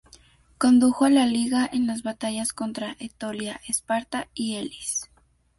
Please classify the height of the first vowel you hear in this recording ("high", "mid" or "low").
mid